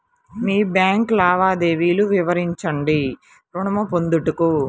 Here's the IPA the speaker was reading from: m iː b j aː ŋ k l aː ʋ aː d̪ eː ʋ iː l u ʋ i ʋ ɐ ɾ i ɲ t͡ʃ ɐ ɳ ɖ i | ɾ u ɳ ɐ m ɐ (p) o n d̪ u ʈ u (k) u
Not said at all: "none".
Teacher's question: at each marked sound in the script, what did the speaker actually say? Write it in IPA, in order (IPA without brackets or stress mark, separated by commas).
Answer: p, k